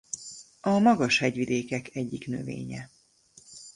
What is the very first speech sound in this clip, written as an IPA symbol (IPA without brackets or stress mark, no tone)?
ɒ